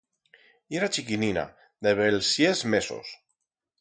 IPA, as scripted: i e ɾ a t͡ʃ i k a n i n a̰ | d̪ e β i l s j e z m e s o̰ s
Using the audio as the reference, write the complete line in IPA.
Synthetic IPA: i e ɾ a t͡ʃ i k i n i n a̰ | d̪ e β e l s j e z m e s o̰ s